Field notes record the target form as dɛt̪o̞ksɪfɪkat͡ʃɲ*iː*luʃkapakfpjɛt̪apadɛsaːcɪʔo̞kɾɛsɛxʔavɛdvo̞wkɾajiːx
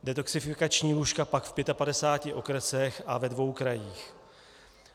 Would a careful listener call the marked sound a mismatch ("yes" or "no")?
no